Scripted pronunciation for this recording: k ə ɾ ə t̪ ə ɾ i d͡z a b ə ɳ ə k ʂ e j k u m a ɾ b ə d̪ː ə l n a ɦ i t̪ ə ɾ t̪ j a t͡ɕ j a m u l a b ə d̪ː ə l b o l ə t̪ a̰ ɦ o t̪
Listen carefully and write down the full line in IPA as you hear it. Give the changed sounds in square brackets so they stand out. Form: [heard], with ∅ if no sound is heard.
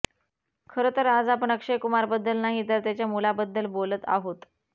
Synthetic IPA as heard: [kʰ] ə ɾ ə t̪ ə ɾ [a] d͡z a [p] ə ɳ ə k ʂ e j k u m a ɾ b ə d̪ː ə l n a ɦ i t̪ ə ɾ t̪ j a t͡ɕ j a m u l a b ə d̪ː ə l b o l ə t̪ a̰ ɦ o t̪

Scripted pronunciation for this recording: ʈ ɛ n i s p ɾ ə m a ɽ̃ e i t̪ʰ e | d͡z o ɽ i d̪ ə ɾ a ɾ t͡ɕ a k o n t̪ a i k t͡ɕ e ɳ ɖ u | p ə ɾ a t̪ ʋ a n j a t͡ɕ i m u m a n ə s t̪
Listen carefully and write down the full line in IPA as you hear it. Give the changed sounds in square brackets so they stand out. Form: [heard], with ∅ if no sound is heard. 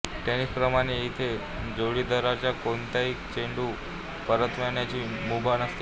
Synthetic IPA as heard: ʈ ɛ n i s p ɾ ə m a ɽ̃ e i t̪ʰ e | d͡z o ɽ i d̪ ə ɾ a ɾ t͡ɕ a k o n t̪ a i k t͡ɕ e ɳ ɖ u | p ə ɾ [ə] t̪ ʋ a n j a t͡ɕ i m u [b] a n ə s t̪

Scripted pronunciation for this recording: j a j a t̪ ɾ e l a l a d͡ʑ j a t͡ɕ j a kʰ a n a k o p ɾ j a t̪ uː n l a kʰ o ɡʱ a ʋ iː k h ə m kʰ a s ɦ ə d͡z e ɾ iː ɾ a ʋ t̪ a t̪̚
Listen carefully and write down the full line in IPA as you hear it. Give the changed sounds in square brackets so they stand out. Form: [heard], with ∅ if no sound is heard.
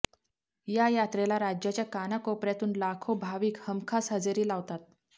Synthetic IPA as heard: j a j a t̪ ɾ e l a [ɾ] a d͡ʑ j a t͡ɕ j a [k] a n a k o p ɾ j a t̪ uː n l a kʰ o [bʱ] a ʋ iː k h ə m kʰ a s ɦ ə d͡z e ɾ iː [l] a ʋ t̪ a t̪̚

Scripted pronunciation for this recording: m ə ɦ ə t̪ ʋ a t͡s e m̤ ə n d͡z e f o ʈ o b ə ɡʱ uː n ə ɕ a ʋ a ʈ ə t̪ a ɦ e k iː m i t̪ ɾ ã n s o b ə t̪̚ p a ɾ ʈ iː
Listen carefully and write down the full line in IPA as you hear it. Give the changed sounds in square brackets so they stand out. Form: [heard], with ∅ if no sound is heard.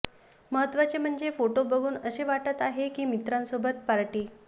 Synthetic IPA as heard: m ə ɦ ə t̪ ʋ a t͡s e m̤ ə [ɳ] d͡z e f o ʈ o b ə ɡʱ uː n ə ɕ [e] ʋ a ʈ ə t̪ a ɦ e k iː m i t̪ ɾ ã n s o b ə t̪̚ p a ɾ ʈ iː

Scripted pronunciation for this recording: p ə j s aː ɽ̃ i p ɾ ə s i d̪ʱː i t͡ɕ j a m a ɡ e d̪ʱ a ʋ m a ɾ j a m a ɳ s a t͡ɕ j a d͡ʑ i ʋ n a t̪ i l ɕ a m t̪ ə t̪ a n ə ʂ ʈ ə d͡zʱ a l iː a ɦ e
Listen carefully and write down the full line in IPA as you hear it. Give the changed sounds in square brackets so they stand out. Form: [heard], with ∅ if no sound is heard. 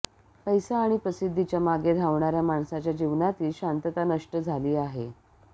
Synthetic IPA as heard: p ə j s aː ɽ̃ i p ɾ ə s i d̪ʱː i t͡ɕ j a m a ɡ e d̪ʱ a ʋ [ɳ] a ɾ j a m a ɳ s a t͡ɕ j a d͡ʑ i ʋ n a t̪ [iː] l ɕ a [n] t̪ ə t̪ a n ə ʂ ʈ ə d͡zʱ a l iː a ɦ e

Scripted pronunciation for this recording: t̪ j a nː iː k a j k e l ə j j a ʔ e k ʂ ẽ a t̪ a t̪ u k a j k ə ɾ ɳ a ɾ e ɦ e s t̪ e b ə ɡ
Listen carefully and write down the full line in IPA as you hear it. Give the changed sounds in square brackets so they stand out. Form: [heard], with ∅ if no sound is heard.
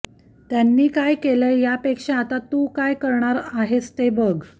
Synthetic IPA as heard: t̪ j a nː iː k a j k e l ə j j a [p] e k ʂ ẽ a t̪ a t̪ u k a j k ə ɾ ɳ a ɾ [a] ɦ e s t̪ e b ə ɡ

